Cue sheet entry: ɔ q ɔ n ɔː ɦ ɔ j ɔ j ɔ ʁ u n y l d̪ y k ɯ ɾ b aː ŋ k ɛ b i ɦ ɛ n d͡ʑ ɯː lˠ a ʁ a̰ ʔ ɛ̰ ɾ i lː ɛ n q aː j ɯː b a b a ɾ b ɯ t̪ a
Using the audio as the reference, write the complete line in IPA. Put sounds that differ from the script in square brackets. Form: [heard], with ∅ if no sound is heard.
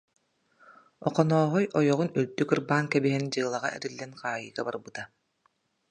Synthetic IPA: ɔ q ɔ n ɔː ɦ ɔ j ɔ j ɔ ʁ u n y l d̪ y k ɯ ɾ b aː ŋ k ɛ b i ɦ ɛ n d͡ʑ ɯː lˠ a ʁ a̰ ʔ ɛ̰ ɾ i lː ɛ n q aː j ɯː [ɡ] a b a ɾ b ɯ t̪ a